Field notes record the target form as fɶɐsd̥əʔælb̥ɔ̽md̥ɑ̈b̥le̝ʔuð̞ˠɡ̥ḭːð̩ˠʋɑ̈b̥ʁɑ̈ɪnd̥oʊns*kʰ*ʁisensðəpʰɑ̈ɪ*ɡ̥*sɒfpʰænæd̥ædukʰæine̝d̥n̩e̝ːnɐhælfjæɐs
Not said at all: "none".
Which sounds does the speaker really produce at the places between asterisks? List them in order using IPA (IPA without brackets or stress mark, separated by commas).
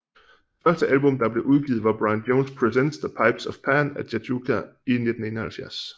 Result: pʰ, b̥